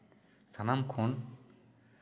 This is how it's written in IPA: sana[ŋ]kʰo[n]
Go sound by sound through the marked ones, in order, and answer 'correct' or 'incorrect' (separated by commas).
incorrect, correct